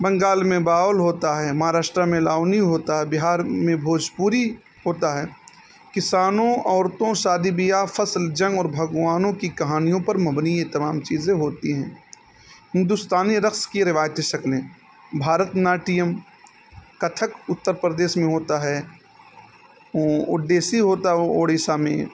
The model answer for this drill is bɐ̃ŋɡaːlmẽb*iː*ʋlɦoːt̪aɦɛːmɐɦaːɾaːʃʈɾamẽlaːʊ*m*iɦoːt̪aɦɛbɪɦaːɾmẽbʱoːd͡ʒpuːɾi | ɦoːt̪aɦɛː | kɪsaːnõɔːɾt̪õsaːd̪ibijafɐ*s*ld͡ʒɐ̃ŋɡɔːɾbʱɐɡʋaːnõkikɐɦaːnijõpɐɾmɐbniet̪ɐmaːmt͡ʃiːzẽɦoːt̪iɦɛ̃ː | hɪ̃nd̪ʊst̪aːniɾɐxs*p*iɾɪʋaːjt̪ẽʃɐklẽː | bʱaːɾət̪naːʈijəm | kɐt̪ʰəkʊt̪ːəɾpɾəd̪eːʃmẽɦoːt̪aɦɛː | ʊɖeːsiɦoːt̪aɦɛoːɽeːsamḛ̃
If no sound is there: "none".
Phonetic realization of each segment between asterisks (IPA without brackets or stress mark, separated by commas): aː, n, s, k